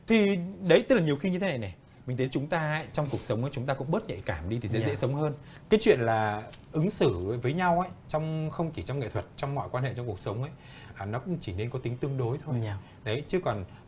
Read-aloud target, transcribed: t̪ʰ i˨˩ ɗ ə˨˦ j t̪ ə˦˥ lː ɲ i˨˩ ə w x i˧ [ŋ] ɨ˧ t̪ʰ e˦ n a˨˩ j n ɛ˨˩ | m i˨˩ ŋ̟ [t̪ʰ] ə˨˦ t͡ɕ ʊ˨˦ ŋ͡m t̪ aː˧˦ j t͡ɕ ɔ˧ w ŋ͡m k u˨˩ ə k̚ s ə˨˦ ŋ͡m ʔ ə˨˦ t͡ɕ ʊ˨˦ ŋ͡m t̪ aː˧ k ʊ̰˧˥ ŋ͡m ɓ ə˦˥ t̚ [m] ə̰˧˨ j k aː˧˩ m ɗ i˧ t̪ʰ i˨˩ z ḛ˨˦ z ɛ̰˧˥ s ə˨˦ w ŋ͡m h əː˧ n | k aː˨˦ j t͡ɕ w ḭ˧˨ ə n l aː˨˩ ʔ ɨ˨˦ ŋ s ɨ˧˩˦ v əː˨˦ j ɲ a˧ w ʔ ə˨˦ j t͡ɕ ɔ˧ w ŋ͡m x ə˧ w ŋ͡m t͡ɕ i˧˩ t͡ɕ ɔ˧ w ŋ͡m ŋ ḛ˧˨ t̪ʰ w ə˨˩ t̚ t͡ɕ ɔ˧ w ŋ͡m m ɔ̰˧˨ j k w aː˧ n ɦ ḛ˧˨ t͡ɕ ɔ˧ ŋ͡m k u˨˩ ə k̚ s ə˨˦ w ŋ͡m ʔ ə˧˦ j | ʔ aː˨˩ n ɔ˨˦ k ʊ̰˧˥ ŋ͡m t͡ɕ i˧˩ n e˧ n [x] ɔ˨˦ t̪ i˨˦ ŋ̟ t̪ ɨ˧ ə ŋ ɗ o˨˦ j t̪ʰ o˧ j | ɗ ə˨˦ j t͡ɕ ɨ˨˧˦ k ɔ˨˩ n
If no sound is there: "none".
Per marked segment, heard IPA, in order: ɲ, t̪ʰ, ɲ, k

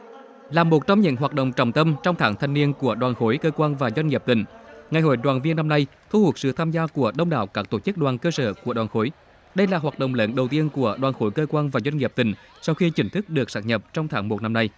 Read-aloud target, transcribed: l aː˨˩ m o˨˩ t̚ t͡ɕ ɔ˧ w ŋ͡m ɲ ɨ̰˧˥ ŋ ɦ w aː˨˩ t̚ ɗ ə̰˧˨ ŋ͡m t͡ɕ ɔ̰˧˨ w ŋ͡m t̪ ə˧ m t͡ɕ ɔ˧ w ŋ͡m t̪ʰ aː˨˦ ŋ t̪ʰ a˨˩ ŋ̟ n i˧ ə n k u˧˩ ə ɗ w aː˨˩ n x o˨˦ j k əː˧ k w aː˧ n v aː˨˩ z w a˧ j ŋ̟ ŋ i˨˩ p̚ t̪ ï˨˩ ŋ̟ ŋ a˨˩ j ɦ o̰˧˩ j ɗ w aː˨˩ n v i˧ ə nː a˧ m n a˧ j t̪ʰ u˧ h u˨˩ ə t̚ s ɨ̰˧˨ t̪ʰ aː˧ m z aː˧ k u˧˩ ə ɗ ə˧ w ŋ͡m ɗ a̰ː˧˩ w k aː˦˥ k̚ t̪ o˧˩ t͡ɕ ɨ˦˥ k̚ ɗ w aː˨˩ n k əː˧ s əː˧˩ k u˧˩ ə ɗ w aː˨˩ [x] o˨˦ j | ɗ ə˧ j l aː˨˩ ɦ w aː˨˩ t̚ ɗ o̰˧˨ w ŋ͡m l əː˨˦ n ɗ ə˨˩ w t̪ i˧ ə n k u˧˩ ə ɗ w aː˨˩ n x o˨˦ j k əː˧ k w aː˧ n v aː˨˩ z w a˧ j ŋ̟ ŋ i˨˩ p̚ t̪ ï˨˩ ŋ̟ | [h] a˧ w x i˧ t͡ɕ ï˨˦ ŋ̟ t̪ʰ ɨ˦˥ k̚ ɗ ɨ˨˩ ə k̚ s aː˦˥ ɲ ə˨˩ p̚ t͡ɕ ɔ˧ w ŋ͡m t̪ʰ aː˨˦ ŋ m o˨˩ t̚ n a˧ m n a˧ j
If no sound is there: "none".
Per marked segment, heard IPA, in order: x, s

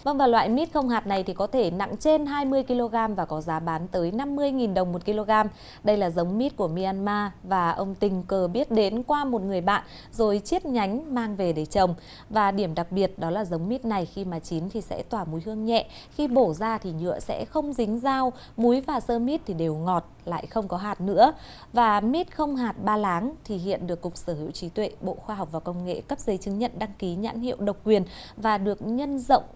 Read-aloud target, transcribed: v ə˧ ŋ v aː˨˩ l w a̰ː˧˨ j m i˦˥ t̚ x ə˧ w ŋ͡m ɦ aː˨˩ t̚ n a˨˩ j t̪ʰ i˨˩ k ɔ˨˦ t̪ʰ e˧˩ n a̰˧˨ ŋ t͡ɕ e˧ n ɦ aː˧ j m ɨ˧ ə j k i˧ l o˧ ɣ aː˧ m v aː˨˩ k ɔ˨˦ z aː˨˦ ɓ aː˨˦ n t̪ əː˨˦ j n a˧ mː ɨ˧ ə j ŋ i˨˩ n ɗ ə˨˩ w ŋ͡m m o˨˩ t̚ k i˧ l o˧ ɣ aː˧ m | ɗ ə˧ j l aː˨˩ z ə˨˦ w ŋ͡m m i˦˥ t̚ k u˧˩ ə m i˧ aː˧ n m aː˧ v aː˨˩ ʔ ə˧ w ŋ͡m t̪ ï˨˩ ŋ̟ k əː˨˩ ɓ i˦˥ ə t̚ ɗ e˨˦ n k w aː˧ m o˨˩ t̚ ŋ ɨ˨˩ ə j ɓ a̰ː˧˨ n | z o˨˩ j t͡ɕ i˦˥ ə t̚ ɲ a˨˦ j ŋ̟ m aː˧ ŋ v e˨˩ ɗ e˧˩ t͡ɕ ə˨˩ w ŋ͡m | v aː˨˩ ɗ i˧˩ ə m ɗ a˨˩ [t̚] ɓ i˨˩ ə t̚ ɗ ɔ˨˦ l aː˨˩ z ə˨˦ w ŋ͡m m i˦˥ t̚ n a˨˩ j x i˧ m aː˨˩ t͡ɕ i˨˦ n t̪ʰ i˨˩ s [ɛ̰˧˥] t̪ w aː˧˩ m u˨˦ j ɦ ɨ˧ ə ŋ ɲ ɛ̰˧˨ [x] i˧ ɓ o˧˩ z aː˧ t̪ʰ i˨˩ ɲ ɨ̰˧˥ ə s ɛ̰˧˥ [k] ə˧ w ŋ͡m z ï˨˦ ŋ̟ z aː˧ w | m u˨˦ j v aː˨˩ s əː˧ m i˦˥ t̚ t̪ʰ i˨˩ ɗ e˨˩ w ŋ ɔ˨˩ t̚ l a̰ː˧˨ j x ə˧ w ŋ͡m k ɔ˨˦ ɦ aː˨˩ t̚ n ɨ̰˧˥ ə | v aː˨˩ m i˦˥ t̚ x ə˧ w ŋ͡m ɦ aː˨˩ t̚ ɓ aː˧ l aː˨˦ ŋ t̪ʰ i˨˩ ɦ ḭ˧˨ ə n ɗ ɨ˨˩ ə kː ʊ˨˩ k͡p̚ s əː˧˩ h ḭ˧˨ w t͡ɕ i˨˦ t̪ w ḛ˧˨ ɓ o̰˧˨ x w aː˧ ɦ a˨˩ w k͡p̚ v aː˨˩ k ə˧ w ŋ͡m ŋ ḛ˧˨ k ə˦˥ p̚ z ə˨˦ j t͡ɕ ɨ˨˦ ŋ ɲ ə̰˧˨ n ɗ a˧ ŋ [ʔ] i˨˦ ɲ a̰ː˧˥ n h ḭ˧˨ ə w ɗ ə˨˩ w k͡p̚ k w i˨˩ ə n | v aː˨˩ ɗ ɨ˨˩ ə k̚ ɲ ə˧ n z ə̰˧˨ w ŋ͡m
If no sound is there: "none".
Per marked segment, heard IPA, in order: k̚, ɛ̰˧˥, x, x, k

